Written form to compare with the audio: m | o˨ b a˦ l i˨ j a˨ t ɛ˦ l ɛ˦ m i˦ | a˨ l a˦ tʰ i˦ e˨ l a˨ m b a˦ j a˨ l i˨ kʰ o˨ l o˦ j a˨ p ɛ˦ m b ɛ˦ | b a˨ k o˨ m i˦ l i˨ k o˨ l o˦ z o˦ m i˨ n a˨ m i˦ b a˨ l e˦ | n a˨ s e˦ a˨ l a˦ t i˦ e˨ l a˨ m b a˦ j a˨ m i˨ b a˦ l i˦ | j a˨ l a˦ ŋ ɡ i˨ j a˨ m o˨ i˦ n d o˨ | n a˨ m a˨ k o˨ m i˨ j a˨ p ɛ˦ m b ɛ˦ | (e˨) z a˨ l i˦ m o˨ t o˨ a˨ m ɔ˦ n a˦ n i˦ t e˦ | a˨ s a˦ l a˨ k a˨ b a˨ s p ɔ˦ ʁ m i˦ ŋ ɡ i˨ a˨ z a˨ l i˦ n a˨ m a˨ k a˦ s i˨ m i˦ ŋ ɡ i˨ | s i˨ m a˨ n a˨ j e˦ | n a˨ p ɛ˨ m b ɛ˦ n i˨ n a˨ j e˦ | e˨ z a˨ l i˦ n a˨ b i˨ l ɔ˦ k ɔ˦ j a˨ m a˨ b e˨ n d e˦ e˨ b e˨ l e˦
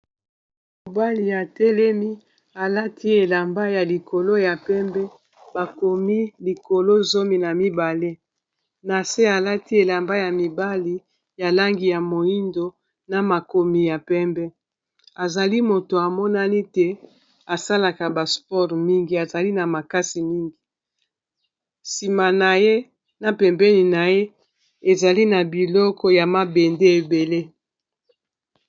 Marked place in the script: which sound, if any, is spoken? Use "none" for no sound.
a˨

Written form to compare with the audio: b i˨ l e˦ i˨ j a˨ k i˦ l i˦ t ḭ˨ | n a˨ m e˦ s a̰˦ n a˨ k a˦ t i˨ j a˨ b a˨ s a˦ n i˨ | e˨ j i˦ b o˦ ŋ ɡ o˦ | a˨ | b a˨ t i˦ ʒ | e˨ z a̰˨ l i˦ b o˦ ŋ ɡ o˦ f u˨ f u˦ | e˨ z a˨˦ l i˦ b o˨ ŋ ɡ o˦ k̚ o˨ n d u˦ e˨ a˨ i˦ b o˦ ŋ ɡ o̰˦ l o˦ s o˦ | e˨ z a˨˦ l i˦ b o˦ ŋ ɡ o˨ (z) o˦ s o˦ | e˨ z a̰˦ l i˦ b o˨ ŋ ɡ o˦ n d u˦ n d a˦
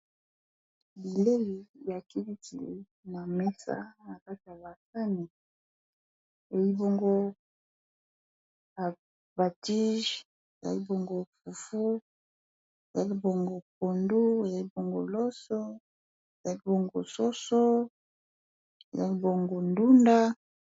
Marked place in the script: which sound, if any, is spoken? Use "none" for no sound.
s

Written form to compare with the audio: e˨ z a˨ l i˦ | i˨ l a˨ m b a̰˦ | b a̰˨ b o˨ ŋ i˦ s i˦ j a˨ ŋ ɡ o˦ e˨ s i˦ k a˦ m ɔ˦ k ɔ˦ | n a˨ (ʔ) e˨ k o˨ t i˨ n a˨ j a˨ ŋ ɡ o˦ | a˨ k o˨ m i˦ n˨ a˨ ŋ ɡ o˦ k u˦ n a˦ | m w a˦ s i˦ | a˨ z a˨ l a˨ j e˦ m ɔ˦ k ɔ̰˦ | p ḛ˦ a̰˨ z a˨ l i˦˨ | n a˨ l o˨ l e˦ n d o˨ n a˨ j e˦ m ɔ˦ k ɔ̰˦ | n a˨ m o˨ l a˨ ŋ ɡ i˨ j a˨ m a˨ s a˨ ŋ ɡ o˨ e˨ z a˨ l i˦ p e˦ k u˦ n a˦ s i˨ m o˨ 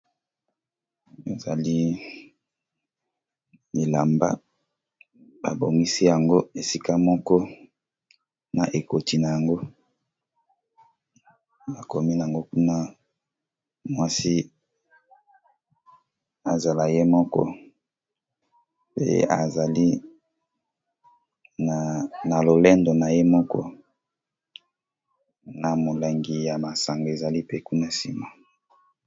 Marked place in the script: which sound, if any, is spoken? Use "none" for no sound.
ʔ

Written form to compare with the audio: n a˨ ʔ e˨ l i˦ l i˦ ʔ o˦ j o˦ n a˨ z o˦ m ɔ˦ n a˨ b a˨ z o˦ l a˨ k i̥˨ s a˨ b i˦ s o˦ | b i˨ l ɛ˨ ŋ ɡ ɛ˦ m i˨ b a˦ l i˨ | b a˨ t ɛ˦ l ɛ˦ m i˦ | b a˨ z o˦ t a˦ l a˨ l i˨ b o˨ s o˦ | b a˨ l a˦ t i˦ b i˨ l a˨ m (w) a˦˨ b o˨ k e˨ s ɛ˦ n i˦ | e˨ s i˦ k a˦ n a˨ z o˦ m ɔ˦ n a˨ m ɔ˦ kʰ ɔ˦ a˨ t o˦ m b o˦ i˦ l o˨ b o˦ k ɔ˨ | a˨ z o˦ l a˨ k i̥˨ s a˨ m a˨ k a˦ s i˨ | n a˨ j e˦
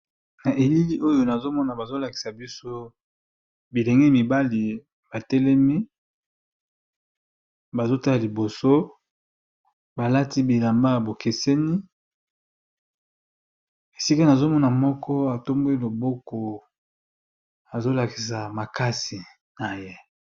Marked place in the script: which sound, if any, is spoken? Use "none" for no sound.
b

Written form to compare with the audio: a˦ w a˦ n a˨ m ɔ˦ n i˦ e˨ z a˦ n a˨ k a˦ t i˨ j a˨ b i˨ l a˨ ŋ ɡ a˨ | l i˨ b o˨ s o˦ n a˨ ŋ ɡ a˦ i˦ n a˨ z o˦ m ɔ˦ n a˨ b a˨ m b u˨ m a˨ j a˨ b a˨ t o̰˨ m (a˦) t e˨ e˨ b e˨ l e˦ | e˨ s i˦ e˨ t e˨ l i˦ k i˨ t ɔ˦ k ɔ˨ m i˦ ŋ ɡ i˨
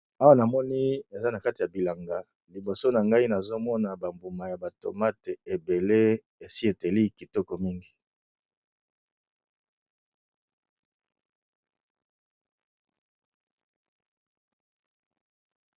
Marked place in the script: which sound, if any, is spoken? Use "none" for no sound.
a˦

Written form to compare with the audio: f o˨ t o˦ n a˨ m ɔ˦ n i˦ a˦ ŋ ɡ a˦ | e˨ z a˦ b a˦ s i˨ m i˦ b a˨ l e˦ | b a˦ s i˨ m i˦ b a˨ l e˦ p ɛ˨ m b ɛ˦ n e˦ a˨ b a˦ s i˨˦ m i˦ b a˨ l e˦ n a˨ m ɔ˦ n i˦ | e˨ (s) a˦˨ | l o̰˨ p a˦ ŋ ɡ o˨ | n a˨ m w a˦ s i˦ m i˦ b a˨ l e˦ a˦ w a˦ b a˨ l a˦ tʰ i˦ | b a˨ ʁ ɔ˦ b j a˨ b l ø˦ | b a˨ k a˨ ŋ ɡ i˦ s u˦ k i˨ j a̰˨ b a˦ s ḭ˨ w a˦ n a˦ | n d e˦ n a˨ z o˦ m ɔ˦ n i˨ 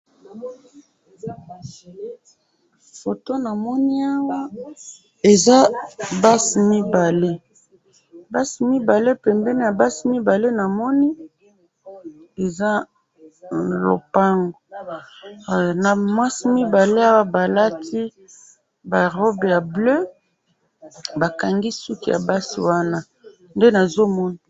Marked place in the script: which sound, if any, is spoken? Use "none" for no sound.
z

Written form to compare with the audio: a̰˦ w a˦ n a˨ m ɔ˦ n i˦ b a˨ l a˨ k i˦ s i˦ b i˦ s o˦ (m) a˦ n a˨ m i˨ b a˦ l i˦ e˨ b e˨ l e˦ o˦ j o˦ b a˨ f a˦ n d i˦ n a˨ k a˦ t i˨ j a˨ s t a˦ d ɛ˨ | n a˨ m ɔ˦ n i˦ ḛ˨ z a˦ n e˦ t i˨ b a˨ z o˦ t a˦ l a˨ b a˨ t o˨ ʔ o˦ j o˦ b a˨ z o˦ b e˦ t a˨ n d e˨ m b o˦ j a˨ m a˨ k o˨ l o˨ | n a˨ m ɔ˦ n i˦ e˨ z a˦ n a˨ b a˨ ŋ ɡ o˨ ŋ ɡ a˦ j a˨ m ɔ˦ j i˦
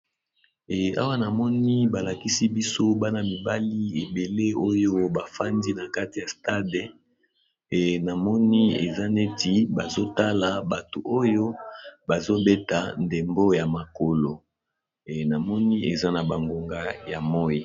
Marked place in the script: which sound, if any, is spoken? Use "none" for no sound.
b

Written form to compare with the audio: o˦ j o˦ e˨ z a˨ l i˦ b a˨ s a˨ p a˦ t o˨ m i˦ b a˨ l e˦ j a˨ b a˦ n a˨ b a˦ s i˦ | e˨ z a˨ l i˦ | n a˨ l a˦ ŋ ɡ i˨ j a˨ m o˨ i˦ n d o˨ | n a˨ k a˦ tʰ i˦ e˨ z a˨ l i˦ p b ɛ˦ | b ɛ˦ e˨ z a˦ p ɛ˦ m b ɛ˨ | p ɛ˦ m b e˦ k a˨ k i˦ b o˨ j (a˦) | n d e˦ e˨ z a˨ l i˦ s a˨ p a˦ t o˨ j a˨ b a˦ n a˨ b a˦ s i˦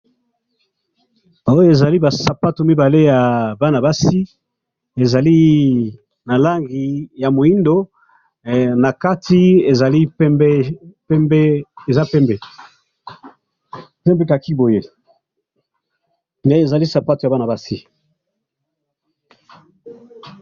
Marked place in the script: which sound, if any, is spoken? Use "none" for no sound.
e˦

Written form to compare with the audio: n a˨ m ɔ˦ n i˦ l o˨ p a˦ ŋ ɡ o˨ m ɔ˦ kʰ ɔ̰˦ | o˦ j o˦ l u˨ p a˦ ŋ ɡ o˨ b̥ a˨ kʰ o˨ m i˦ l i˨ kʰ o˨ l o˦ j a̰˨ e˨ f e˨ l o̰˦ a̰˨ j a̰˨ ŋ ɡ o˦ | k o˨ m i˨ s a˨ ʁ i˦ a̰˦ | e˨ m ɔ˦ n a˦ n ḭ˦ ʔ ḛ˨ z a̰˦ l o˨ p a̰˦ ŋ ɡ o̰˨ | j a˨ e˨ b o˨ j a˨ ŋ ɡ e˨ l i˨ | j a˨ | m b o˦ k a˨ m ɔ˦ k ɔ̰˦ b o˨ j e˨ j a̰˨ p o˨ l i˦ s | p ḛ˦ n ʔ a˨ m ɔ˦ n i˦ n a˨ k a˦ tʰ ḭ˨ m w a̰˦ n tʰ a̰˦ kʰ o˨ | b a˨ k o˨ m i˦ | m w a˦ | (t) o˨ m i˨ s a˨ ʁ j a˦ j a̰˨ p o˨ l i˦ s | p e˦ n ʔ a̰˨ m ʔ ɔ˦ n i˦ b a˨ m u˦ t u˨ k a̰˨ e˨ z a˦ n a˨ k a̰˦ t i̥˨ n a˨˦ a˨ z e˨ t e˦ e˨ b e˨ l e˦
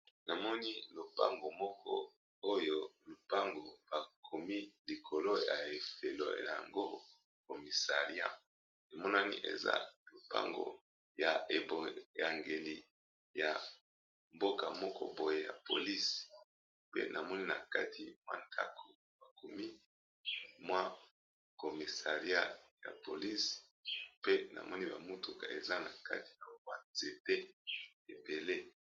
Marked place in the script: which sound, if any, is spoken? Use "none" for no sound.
k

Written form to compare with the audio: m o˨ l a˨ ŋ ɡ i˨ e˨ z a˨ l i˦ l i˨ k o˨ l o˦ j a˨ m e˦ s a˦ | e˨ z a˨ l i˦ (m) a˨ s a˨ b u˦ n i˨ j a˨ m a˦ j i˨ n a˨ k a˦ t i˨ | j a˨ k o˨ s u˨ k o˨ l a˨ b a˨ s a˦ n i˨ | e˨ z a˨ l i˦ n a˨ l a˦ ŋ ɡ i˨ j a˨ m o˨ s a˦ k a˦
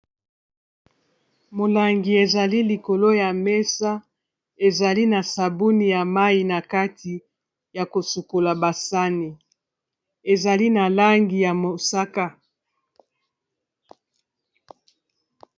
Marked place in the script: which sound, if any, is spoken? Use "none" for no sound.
n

